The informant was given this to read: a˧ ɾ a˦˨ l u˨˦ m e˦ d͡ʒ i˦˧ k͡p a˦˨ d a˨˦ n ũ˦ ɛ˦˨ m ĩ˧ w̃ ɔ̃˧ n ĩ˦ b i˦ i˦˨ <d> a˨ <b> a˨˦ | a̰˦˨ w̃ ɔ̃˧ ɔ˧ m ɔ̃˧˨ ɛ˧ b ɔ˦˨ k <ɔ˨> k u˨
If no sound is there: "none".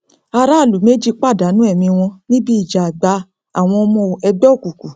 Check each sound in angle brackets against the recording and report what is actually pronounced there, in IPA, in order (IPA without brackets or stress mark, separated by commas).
d͡ʒ, ɡ͡b, u˨